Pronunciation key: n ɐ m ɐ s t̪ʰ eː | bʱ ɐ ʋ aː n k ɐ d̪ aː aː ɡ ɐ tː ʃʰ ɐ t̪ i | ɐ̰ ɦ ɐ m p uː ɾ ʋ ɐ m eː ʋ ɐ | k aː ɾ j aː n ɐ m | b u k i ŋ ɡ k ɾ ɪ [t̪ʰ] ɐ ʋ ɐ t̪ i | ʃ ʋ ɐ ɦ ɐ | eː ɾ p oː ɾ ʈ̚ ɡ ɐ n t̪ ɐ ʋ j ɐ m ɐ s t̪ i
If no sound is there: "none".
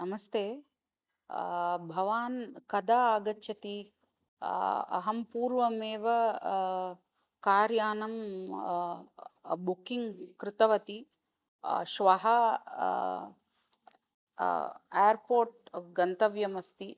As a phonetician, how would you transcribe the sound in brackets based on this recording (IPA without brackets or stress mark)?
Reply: t̪